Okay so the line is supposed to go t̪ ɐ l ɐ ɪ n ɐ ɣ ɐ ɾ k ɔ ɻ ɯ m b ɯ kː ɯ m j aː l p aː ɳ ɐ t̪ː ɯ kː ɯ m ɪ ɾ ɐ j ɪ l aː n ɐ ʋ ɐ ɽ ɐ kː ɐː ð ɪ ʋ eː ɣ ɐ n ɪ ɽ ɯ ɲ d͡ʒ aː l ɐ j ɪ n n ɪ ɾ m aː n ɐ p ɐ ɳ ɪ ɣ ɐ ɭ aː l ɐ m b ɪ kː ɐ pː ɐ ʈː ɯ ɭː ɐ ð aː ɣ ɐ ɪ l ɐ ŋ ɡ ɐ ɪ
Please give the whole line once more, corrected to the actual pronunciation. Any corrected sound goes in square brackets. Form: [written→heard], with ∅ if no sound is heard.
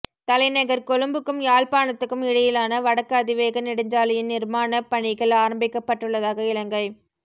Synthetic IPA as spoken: t̪ ɐ l ɐ ɪ n ɐ ɣ ɐ ɾ k ɔ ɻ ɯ m b ɯ kː ɯ m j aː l p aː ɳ ɐ t̪ː ɯ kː ɯ m ɪ [ɾ→ɽ] ɐ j ɪ l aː n ɐ ʋ ɐ ɽ ɐ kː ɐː ð ɪ ʋ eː ɣ ɐ n ɪ ɽ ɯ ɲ d͡ʒ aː l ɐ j ɪ n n ɪ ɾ m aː n ɐ p ɐ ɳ ɪ ɣ ɐ ɭ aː [l→ɾ] ɐ m b ɪ kː ɐ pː ɐ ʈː ɯ ɭː ɐ ð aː ɣ ɐ ɪ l ɐ ŋ ɡ ɐ ɪ